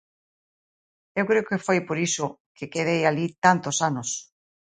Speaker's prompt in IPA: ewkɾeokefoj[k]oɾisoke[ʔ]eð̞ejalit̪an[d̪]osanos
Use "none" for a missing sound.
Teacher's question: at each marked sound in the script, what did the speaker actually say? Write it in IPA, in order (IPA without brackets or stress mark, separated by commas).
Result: p, k, t̪